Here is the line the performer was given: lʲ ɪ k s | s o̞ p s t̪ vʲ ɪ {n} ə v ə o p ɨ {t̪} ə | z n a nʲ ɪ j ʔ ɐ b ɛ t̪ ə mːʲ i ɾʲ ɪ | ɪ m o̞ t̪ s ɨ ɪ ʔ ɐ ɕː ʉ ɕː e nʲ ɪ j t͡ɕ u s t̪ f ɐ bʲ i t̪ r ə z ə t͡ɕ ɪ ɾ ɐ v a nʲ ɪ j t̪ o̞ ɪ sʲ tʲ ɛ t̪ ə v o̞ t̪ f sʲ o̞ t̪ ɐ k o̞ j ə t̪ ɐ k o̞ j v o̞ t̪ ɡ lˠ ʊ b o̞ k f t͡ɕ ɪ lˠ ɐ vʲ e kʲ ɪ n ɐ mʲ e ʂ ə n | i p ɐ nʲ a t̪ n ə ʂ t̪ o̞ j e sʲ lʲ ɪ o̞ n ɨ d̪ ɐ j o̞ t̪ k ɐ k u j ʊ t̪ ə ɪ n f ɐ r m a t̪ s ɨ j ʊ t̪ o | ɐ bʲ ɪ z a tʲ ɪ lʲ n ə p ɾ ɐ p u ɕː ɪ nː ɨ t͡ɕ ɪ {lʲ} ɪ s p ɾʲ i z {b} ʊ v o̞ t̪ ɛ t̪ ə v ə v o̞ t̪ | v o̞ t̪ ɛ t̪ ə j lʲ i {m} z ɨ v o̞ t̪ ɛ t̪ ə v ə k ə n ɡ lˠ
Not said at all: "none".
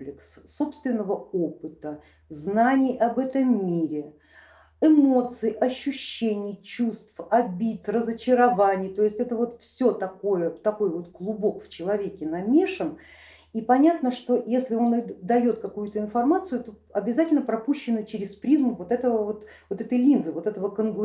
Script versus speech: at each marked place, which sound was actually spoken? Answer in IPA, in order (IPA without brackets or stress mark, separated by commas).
nː, t̪, ɾʲ, m, n